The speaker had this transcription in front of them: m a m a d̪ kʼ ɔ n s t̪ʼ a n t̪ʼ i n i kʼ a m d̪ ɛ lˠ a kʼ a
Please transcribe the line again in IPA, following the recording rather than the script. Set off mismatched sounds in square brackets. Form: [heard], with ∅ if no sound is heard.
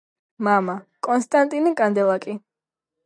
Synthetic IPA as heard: m a m a [∅] kʼ ɔ n s t̪ʼ a n t̪ʼ i n i kʼ a [n] d̪ ɛ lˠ a kʼ [i]